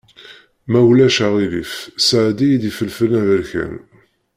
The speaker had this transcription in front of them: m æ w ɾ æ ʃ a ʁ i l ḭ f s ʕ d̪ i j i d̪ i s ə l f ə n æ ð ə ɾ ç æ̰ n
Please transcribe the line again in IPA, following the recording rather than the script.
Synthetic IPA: m æ w l æ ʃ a ʁ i l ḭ f s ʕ d̪ i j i d̪ i f ə l f ə n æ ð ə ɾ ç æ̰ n